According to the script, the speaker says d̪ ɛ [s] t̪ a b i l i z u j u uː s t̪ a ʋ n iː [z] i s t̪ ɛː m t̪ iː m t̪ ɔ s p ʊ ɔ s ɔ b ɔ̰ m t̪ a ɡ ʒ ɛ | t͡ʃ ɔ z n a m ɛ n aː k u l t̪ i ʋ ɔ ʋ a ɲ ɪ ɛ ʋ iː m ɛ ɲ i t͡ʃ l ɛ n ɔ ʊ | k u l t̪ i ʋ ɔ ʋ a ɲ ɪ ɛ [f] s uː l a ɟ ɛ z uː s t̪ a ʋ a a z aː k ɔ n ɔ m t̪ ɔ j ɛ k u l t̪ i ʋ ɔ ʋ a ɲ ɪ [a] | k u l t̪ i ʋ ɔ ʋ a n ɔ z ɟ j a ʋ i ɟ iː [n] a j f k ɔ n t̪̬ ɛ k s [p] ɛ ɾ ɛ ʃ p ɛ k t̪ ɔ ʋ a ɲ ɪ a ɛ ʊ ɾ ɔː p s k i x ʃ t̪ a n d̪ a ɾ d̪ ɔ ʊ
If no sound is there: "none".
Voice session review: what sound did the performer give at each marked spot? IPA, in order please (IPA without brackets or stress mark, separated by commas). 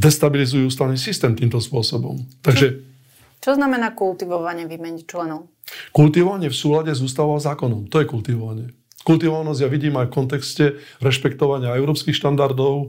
s, s, f, ɛ, m, c